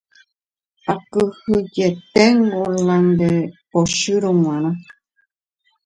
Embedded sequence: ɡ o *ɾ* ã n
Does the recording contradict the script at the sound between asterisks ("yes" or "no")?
yes